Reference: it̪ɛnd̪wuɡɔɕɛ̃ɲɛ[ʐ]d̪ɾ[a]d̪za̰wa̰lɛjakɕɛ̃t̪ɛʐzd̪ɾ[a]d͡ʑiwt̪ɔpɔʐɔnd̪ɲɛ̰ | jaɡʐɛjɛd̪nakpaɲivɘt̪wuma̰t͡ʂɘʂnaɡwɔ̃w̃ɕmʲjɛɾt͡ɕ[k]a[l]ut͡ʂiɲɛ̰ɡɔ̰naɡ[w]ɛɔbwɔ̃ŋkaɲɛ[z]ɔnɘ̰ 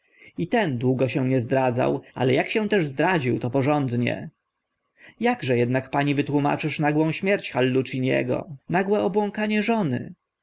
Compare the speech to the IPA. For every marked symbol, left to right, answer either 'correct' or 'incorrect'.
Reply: incorrect: z, correct, correct, incorrect: x, incorrect: lː, correct, incorrect: ʐ

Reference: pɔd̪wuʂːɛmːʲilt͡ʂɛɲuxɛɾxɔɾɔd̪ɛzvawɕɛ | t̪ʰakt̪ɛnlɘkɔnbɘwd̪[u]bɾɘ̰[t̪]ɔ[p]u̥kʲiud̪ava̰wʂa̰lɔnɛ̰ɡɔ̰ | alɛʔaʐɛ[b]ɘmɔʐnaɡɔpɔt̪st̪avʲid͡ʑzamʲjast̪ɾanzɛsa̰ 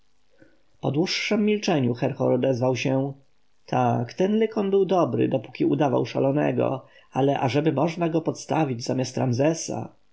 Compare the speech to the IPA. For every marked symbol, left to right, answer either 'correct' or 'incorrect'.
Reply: incorrect: ɔ, incorrect: d̪, correct, correct

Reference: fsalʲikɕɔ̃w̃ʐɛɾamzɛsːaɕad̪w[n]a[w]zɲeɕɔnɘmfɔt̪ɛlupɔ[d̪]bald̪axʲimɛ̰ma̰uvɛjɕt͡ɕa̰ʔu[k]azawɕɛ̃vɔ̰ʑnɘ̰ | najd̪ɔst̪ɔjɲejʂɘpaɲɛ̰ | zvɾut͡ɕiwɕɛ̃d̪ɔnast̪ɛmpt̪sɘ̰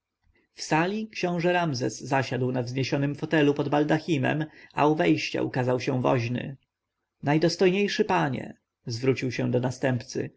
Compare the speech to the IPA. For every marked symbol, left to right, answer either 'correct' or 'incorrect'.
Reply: correct, incorrect: v, correct, correct

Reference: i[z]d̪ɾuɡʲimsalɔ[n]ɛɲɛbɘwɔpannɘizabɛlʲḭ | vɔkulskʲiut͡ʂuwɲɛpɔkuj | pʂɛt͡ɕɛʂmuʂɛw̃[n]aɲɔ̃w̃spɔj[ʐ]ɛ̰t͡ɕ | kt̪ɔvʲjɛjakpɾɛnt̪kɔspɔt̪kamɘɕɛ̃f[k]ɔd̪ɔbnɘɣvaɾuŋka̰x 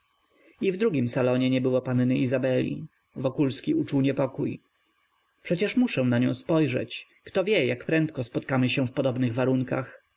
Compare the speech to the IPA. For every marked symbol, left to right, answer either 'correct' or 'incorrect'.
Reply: incorrect: v, incorrect: ɲ, correct, correct, incorrect: p

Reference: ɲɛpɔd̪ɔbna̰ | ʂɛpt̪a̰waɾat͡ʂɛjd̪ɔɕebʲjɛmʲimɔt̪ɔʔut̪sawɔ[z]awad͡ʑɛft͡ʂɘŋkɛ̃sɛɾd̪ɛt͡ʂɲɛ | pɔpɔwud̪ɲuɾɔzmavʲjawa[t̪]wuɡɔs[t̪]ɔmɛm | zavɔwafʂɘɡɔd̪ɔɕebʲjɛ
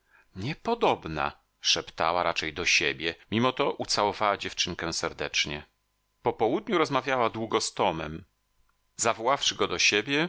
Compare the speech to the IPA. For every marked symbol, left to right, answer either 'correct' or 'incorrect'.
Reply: incorrect: v, incorrect: d̪, correct

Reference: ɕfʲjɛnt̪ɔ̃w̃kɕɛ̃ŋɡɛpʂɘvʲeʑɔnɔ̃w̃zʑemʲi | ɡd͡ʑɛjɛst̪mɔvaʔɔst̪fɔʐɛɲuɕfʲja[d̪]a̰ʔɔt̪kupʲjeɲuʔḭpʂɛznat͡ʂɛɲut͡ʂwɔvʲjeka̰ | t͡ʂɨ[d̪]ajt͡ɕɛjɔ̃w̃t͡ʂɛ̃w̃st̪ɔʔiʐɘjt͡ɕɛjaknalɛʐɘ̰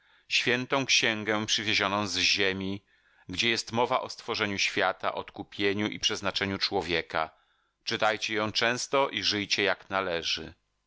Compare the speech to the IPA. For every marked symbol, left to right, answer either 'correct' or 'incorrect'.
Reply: incorrect: t̪, incorrect: t̪

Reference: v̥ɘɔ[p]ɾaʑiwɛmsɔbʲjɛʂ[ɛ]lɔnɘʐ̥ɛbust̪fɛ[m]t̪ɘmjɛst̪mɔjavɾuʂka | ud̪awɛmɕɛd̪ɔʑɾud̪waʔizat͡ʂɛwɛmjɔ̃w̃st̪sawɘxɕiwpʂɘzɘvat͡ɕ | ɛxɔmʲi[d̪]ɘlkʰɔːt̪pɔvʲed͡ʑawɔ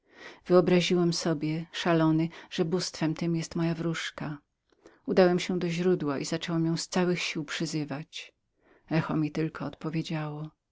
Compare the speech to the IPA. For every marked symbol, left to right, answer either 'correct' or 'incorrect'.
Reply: incorrect: b, incorrect: a, correct, incorrect: t̪

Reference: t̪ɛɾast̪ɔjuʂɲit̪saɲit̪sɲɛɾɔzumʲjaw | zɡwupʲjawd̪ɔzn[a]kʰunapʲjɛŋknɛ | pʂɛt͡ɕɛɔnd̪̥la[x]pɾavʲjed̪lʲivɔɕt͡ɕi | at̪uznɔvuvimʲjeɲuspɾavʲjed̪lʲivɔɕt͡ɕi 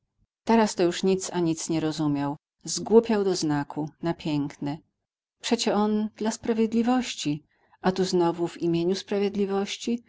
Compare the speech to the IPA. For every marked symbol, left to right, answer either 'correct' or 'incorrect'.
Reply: correct, incorrect: s

